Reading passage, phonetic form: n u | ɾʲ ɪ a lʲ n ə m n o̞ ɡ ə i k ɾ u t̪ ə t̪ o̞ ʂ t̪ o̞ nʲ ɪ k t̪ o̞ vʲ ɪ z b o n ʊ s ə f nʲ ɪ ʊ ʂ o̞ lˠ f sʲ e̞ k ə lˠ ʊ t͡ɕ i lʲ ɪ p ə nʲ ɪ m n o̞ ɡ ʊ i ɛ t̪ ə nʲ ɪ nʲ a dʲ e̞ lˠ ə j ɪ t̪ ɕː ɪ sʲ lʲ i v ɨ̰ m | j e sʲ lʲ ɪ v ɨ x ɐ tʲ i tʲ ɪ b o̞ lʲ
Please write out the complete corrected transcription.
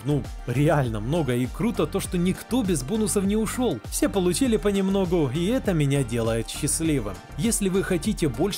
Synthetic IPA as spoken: n u | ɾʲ ɪ a lʲ n ə m n o̞ ɡ ə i k ɾ u t̪ ə t̪ o̞ ʂ t̪ o̞ nʲ ɪ k t̪ o̞ bʲ ɪ z b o n ʊ s ə f nʲ ɪ ʊ ʂ o̞ lˠ f sʲ e̞ p ə lˠ ʊ t͡ɕ i lʲ ɪ p ə nʲ ɪ m n o̞ ɡ ʊ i ɛ t̪ ə mʲ ɪ nʲ a dʲ e̞ lˠ ə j ɪ t̪ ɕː ɪ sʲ lʲ i v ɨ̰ m | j e sʲ lʲ ɪ v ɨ x ɐ tʲ i tʲ ɪ b o̞ lʲ